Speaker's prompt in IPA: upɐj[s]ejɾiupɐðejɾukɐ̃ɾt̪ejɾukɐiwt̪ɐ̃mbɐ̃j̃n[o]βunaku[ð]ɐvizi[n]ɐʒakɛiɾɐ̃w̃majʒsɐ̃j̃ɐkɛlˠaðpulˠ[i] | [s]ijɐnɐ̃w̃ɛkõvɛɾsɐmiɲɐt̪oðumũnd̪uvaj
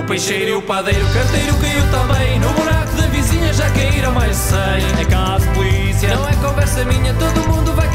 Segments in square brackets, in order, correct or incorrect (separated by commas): incorrect, incorrect, correct, incorrect, correct, correct